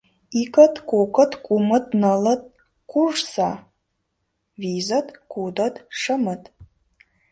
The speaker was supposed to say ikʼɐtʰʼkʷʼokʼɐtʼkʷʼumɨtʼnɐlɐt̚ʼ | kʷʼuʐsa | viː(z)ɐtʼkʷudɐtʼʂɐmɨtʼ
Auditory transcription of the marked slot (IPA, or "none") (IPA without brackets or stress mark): z